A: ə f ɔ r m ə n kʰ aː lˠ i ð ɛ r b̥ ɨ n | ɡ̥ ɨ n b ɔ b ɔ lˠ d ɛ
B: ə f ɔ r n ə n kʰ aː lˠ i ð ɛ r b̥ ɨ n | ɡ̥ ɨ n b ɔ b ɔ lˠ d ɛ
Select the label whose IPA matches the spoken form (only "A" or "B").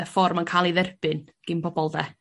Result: A